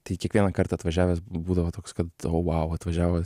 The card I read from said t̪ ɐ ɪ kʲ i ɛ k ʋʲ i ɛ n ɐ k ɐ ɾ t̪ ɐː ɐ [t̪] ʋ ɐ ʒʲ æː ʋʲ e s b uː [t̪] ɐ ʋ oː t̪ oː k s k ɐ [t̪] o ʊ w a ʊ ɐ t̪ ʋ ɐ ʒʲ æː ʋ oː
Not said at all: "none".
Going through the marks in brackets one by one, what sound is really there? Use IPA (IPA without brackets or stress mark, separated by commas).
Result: t̪, d̪, t̪